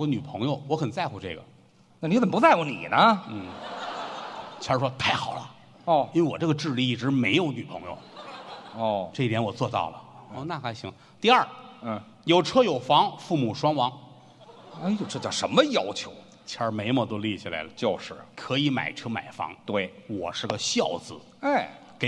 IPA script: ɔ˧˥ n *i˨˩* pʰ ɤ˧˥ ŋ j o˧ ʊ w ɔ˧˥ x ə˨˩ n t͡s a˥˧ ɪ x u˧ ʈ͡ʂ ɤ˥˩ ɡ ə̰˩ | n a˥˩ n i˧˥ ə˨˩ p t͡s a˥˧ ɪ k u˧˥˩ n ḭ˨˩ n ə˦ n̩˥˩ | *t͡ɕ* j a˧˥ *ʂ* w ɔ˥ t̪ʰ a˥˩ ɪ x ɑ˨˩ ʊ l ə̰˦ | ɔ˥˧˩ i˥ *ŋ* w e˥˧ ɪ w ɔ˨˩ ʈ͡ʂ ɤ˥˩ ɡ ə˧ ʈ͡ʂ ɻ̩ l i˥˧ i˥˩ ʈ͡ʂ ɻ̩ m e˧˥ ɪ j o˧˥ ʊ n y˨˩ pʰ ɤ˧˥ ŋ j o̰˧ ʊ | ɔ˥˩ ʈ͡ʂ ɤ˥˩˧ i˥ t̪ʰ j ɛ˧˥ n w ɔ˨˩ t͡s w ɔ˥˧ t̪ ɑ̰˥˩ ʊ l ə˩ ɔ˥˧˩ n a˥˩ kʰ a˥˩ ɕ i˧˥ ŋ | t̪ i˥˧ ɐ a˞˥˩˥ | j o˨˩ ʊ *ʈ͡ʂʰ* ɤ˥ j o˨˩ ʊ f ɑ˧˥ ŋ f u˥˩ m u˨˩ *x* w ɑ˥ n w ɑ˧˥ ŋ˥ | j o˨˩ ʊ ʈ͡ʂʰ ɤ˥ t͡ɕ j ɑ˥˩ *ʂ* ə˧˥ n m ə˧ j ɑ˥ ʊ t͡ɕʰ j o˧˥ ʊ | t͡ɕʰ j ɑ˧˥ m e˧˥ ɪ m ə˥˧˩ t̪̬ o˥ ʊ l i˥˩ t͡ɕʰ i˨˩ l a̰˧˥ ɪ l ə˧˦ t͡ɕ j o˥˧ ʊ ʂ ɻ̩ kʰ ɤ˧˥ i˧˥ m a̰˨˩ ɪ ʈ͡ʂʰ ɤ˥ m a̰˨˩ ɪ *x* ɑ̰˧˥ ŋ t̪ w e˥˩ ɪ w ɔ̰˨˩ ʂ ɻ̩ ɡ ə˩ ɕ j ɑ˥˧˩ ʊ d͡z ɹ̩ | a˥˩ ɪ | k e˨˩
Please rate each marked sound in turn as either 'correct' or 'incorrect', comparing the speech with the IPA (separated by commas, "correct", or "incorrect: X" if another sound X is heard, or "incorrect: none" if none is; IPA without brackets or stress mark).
incorrect: y˨˩, incorrect: t͡ɕʰ, correct, incorrect: n, correct, incorrect: ʂ, correct, incorrect: f